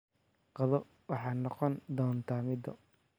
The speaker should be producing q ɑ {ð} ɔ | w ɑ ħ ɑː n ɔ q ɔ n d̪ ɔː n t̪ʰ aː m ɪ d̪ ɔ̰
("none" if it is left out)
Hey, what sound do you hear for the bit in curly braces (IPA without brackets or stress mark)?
ð